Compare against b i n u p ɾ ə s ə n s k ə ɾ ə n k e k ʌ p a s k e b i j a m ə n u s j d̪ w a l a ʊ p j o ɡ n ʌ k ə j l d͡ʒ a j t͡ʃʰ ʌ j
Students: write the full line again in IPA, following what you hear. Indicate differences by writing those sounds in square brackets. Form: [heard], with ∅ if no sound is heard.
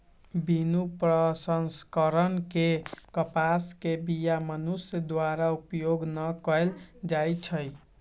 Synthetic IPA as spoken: b i n u p ɾ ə s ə n s k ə ɾ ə n k e k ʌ p a s k e b i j a m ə n u s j d̪ w a [ɾ] a [u] p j o ɡ n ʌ k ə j l d͡ʒ a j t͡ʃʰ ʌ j

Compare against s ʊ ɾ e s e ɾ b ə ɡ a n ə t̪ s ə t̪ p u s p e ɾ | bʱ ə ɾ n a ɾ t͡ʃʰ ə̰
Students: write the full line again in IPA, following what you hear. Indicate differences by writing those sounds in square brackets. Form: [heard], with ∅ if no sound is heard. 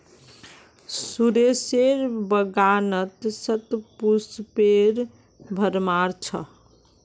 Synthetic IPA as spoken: s [u] ɾ e s e ɾ b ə ɡ a n ə t̪ s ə t̪ p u s p e ɾ | bʱ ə ɾ [m] a ɾ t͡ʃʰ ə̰

